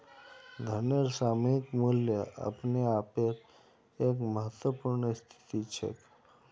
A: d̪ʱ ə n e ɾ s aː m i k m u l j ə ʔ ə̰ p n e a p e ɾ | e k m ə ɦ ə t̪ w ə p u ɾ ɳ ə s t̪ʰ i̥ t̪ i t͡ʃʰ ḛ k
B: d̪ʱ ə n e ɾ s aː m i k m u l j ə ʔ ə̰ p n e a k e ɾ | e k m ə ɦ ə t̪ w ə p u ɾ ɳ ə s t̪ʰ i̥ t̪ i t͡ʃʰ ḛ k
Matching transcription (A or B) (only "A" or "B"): A